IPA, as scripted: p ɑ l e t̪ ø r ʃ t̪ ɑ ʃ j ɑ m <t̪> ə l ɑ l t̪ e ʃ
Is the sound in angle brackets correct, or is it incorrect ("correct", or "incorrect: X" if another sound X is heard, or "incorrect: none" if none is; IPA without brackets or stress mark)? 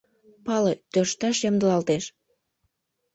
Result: incorrect: d̪